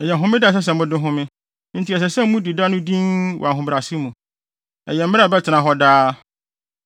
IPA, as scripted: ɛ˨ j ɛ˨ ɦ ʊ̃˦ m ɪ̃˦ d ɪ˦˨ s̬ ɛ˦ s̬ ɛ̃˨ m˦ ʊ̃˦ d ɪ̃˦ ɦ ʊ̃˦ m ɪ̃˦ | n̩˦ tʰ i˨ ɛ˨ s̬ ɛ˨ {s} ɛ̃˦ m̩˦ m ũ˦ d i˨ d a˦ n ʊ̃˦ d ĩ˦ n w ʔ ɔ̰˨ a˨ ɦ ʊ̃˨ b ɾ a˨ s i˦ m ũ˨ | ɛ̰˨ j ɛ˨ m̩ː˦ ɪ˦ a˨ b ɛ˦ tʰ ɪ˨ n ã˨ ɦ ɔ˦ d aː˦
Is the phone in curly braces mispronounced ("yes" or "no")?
no